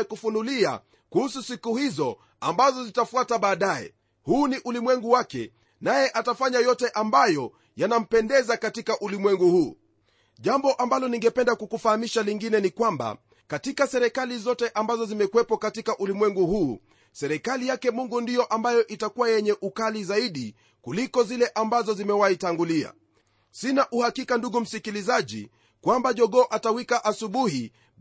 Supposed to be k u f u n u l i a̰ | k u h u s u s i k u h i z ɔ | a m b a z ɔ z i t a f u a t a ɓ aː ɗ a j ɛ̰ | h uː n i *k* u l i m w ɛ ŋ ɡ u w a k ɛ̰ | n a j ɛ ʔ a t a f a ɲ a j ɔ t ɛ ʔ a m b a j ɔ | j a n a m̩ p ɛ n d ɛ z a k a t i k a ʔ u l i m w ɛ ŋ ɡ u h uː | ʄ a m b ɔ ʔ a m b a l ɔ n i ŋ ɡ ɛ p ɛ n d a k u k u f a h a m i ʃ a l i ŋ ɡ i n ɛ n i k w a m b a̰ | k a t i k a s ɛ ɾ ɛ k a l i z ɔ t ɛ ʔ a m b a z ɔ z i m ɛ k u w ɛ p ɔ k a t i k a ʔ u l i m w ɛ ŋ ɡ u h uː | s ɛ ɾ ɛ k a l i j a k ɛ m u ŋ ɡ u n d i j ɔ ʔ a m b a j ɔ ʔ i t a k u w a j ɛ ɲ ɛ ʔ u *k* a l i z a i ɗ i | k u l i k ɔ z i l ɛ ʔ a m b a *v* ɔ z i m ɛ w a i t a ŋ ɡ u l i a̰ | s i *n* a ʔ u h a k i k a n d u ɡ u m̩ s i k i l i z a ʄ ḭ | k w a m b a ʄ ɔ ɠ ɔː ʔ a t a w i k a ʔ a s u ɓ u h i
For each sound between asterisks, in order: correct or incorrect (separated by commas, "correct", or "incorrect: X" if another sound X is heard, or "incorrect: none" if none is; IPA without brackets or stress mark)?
incorrect: ʔ, correct, incorrect: z, correct